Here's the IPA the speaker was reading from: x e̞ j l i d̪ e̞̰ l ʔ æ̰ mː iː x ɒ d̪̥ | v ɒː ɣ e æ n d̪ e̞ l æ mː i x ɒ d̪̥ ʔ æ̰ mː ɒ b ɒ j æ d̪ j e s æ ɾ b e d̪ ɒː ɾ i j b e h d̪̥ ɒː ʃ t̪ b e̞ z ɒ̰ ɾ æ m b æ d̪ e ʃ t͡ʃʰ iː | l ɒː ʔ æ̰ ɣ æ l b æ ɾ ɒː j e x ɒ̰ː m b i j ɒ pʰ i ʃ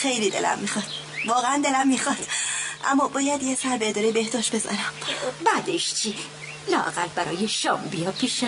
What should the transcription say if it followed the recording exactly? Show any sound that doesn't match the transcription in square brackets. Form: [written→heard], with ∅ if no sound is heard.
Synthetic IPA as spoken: x e̞ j l i d̪ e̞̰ l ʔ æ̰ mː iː x ɒ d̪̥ | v ɒː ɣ e æ n d̪ e̞ l æ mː i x ɒ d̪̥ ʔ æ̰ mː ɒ b [ɒ→ɒː] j æ d̪ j e s æ ɾ b e d̪ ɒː ɾ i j b e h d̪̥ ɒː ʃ t̪ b e̞ z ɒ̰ ɾ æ m b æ d̪ e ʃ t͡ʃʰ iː | l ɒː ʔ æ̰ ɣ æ l b æ ɾ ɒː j e [x→ʃ] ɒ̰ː m b i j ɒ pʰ i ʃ